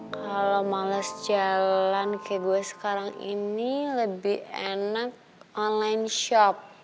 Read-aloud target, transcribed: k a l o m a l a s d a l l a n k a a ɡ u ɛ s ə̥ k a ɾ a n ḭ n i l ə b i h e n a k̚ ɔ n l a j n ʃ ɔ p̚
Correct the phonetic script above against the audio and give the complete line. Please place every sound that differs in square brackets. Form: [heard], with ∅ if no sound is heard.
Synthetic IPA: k a l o m a l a s [d͡ʒ] a l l a n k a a ɡ u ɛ s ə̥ k a ɾ a [ŋ] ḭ n i l ə b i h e n a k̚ ɔ n l a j n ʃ ɔ p̚